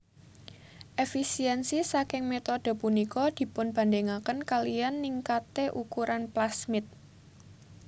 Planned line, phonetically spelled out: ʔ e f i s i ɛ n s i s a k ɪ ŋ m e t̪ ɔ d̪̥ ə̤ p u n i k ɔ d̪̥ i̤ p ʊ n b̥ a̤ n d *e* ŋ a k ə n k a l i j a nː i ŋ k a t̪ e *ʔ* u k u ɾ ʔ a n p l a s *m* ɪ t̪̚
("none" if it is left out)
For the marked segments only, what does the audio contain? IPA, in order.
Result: e, ʔ, m

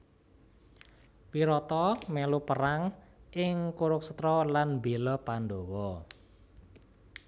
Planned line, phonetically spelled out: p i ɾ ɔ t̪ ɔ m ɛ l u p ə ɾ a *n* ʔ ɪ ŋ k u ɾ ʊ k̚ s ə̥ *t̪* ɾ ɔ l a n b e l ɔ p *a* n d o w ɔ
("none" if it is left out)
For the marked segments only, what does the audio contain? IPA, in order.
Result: ŋ, t̪, a

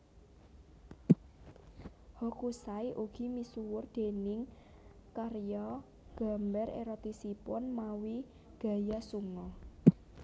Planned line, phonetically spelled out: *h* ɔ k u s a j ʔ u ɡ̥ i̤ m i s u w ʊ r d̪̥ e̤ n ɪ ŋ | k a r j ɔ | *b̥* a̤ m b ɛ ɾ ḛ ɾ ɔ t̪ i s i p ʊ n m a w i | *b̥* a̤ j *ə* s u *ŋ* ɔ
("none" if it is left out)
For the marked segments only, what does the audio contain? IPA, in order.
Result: h, ɡ̥, ɡ̥, a, ŋ

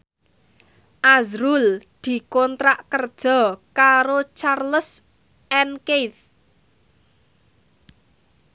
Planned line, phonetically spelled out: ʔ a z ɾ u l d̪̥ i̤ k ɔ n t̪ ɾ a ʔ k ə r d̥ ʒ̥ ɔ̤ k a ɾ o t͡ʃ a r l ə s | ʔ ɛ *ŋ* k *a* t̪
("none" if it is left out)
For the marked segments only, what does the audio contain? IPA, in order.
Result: n, e

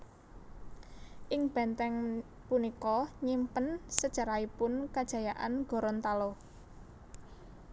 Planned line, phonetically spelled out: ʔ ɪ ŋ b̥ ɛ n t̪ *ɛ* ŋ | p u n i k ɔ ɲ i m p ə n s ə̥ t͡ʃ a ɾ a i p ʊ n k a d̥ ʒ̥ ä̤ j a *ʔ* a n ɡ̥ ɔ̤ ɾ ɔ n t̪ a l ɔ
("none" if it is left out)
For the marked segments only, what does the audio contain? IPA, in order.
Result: ɛ, ʔ

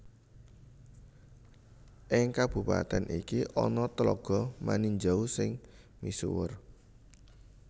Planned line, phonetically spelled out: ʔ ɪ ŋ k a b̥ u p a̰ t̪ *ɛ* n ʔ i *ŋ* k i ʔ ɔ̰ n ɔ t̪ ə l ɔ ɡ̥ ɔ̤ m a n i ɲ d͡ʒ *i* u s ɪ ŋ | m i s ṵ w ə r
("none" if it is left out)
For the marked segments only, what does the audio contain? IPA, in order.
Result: ɛ, none, a

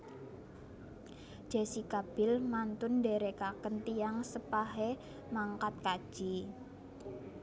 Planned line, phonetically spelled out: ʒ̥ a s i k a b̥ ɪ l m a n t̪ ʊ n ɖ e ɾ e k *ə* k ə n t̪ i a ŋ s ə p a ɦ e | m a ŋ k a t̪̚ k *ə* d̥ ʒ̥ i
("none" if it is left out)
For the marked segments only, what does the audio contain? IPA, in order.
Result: a, a

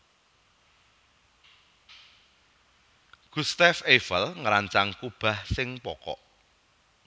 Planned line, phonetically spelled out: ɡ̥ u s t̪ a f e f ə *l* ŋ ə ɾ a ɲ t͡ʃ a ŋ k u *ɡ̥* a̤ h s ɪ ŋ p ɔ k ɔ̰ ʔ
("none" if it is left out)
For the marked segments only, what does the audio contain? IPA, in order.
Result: l, b̥

